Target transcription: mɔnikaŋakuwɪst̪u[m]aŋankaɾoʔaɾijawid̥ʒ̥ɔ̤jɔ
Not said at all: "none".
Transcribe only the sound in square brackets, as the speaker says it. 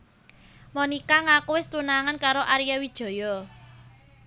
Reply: n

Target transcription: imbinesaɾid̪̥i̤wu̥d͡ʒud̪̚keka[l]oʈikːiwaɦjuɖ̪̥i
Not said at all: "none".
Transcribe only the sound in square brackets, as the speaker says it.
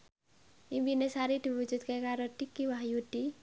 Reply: ɾ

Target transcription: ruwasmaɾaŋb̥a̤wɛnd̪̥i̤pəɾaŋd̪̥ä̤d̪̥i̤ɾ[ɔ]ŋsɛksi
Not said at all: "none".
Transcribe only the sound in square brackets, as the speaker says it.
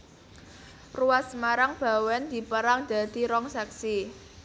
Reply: ɔ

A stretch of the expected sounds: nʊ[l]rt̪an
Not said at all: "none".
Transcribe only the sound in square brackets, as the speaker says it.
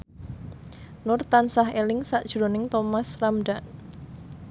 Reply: none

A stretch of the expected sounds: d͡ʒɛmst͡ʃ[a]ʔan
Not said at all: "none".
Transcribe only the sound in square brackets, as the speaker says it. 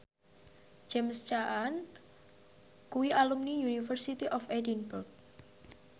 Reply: a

